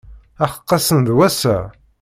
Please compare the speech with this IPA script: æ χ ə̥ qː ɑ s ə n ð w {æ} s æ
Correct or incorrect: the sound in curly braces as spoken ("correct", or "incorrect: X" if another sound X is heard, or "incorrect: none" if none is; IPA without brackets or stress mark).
correct